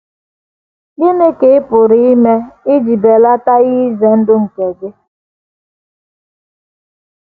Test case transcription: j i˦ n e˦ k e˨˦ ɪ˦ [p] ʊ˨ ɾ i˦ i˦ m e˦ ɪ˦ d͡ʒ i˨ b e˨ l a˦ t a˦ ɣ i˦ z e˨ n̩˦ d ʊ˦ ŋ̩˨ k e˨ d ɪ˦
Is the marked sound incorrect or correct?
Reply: correct